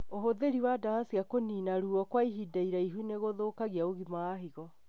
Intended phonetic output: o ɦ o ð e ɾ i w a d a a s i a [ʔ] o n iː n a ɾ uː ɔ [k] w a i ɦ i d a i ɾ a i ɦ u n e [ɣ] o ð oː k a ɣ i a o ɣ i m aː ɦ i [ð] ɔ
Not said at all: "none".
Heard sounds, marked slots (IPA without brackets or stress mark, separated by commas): k, k, ɣ, ɣ